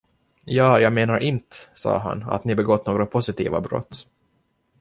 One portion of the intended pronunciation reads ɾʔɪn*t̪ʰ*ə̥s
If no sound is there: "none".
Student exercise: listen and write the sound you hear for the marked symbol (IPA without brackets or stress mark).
t̪